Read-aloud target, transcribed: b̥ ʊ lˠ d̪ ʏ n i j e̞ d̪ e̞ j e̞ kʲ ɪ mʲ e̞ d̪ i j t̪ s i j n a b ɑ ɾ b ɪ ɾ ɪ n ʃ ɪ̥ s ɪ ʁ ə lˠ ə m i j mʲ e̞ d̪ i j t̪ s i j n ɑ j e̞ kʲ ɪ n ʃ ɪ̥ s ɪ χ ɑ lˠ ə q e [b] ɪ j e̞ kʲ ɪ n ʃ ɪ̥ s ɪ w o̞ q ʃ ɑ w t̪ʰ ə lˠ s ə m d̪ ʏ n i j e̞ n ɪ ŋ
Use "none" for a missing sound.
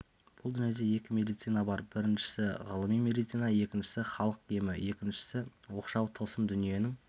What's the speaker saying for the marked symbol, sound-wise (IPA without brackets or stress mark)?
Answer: m